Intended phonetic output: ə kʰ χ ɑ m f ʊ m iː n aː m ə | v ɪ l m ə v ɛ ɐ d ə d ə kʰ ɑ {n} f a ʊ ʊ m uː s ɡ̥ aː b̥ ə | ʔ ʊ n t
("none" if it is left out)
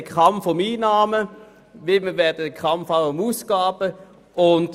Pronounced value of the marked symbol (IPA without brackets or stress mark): m